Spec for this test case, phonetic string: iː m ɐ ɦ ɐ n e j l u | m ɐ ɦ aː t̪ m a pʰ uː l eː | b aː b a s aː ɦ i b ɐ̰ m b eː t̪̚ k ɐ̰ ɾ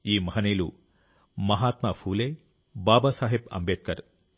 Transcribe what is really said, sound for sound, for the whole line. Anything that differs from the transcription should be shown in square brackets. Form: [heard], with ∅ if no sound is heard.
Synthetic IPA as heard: iː m ɐ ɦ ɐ n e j l u | m ɐ ɦ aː t̪ m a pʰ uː l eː | b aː b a s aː ɦ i b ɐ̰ m b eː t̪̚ k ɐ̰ ɾ